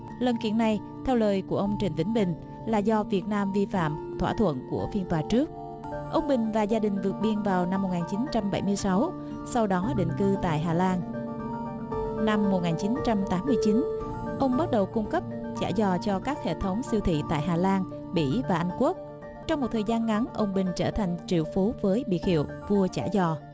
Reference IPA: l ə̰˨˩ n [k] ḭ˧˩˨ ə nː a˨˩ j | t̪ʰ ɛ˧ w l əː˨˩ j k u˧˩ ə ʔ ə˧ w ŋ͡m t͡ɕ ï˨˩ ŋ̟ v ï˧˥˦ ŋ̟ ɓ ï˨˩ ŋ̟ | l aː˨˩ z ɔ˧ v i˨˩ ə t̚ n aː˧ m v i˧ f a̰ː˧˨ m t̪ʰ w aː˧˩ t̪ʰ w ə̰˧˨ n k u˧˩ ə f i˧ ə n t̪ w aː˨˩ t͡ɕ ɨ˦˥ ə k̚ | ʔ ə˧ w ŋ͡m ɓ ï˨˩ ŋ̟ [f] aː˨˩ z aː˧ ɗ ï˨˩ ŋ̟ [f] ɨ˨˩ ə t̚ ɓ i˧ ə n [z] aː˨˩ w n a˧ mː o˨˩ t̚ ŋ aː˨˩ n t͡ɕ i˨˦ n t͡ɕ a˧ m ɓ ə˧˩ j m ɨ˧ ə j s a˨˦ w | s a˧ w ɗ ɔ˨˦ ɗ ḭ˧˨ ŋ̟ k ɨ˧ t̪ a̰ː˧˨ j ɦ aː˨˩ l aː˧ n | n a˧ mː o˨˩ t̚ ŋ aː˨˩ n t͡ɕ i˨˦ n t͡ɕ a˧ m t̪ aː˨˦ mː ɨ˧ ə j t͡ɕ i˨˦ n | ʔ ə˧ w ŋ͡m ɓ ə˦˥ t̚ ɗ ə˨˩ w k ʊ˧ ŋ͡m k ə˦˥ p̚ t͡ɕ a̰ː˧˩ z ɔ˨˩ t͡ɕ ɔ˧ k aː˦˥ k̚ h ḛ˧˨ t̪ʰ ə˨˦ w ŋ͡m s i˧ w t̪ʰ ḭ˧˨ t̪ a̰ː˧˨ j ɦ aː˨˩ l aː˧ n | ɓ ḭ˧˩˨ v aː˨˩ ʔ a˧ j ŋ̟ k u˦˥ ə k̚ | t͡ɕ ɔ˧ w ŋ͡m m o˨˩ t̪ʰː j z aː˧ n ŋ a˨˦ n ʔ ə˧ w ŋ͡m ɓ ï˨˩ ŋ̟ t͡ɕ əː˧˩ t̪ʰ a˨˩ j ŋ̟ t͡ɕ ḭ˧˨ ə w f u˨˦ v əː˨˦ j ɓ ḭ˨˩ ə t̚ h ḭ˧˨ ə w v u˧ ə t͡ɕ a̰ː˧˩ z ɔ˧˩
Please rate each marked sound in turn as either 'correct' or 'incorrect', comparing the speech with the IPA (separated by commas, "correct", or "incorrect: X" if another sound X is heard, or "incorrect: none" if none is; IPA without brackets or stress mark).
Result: correct, incorrect: v, incorrect: v, incorrect: v